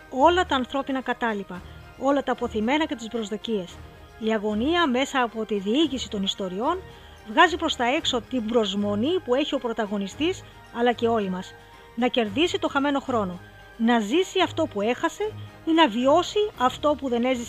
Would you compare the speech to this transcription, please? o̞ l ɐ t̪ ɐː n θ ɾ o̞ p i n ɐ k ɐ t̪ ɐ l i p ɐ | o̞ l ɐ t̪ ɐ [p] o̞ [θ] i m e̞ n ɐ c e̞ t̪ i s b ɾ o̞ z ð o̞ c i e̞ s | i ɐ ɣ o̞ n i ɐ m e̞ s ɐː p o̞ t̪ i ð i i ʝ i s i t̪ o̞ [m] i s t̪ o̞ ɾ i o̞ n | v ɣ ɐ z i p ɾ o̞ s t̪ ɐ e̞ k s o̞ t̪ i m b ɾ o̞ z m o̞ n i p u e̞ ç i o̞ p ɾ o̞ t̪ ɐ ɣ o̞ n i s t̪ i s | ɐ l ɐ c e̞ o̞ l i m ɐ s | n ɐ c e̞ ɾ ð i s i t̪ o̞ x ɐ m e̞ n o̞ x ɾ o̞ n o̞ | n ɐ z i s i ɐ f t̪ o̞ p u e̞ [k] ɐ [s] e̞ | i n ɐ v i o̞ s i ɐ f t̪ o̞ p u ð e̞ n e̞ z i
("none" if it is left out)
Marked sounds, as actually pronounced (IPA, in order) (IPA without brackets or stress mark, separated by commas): p, θ, n, x, s